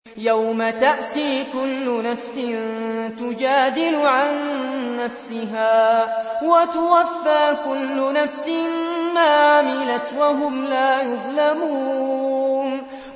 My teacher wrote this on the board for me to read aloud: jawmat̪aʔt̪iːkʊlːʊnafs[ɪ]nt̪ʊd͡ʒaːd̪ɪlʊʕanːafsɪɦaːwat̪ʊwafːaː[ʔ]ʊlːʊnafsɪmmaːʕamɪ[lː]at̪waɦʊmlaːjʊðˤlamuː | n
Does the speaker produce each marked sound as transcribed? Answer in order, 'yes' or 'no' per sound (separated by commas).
yes, no, no